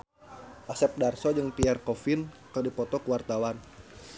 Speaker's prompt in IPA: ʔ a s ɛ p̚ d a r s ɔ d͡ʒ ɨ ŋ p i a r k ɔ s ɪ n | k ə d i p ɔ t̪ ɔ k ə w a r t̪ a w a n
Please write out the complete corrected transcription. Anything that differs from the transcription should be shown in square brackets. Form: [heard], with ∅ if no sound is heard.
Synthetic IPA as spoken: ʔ a s ɛ p̚ d a r s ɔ d͡ʒ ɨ ŋ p i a r k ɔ [f] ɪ n | k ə d i p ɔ t̪ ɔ k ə w a r t̪ a w a n